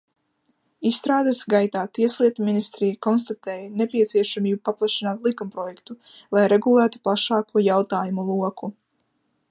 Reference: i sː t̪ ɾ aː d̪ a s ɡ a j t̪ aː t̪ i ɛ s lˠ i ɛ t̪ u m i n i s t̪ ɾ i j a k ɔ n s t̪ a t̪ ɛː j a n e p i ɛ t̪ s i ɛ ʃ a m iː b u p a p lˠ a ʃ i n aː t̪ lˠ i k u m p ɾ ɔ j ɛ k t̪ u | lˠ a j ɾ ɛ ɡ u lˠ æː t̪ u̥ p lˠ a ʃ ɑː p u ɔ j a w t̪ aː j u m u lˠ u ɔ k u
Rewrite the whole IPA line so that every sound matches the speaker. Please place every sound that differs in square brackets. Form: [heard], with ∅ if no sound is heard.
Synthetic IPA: i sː t̪ ɾ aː d̪ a s ɡ a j t̪ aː t̪ i ɛ s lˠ i ɛ t̪ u m i n i s t̪ ɾ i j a k ɔ n s t̪ a t̪ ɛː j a n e p i ɛ t̪ s i ɛ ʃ a m iː b u p a p lˠ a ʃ i n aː t̪ lˠ i k u m p ɾ ɔ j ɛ k t̪ u | lˠ a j ɾ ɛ ɡ u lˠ æː t̪ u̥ p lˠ a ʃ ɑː [k] u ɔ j a w t̪ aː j u m u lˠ u ɔ k u